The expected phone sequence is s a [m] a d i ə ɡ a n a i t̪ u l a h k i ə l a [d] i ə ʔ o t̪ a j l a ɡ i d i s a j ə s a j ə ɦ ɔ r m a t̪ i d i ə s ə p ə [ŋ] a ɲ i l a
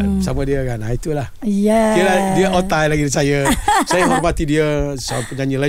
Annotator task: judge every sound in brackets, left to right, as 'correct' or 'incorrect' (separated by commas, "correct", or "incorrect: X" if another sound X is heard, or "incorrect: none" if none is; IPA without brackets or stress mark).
correct, correct, incorrect: ɲ